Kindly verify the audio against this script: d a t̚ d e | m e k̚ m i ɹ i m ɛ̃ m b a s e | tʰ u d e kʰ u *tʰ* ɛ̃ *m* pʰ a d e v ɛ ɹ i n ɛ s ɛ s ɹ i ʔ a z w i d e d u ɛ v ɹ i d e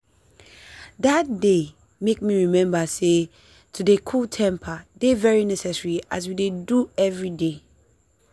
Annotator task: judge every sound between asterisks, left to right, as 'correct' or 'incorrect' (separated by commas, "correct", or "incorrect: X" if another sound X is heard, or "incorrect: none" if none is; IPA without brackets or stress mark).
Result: correct, correct